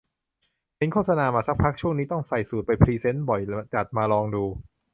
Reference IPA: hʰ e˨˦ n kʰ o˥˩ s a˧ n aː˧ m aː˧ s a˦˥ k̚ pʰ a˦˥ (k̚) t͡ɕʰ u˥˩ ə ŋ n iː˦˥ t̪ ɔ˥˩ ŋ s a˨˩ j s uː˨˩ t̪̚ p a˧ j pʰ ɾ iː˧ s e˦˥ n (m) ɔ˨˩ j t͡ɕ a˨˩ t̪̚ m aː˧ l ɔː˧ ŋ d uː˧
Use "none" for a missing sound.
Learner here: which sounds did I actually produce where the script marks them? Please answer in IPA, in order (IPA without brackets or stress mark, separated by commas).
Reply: k̚, b